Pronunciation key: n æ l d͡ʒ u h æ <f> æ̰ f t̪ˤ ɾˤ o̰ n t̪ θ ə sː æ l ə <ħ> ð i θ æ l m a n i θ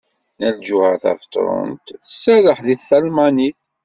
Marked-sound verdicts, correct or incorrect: incorrect, correct

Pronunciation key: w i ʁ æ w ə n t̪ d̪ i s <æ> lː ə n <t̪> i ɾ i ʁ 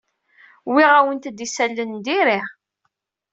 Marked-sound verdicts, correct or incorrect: correct, incorrect

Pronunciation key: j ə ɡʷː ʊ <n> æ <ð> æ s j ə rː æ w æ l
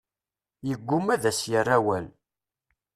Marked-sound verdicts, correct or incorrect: incorrect, correct

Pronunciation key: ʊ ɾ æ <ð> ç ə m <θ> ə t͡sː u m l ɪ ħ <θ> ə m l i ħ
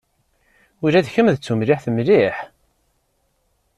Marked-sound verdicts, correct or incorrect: correct, incorrect, correct

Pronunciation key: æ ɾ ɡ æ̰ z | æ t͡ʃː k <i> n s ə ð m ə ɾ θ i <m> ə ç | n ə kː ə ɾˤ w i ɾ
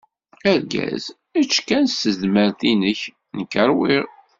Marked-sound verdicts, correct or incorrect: incorrect, incorrect

